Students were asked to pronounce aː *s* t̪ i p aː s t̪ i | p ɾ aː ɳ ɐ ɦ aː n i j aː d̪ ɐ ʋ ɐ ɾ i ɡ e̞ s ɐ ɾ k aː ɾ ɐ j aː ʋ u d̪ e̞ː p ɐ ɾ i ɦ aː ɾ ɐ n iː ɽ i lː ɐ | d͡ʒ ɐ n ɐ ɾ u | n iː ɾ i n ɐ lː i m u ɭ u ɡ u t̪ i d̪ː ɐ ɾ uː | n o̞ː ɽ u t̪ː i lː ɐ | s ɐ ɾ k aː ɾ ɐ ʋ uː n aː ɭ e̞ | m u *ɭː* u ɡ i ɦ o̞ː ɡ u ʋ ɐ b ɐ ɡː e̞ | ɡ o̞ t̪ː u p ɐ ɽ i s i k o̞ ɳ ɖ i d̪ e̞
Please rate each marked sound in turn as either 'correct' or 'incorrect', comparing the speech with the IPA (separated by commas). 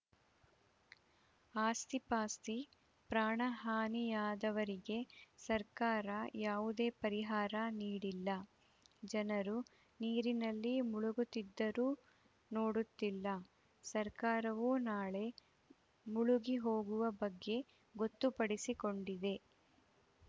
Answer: correct, incorrect